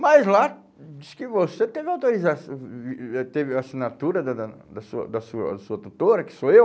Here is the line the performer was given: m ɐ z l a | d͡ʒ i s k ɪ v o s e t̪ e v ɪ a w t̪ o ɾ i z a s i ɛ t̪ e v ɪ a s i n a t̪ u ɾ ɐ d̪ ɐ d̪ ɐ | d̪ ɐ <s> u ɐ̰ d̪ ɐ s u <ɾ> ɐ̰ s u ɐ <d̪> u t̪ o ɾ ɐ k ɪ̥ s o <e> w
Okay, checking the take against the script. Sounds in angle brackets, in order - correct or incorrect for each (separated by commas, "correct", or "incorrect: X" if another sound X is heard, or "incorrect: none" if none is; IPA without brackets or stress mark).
correct, incorrect: none, incorrect: t̪, correct